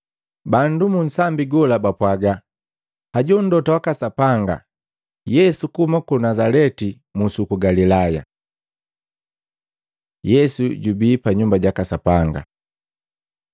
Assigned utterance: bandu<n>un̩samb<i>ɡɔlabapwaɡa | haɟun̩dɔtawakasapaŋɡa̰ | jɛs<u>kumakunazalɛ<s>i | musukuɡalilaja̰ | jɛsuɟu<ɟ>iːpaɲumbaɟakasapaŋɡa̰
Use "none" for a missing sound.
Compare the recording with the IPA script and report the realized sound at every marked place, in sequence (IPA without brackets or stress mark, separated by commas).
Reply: m, i, u, t, b